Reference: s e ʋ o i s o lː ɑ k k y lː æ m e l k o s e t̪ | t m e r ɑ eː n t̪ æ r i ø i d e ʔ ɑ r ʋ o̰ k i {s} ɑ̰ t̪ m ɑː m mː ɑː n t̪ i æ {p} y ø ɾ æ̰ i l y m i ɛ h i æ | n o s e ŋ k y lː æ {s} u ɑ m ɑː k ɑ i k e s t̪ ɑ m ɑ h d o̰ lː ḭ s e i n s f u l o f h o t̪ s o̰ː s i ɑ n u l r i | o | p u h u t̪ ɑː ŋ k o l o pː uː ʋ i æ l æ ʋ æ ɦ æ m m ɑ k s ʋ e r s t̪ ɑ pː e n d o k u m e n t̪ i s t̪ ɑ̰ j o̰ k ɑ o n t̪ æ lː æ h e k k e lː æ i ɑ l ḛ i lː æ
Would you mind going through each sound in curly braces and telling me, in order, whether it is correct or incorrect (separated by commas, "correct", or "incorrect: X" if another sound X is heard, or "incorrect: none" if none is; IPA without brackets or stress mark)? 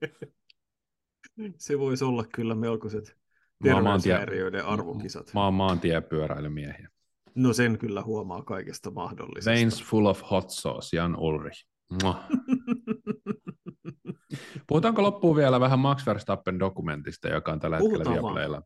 correct, correct, incorrect: h